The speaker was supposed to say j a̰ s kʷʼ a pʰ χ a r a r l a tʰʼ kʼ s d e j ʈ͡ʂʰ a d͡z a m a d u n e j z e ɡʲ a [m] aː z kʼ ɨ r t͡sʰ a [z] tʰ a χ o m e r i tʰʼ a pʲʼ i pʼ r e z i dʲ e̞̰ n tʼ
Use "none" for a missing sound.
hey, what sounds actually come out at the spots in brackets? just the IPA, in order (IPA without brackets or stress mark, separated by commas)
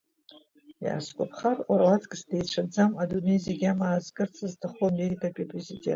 m, z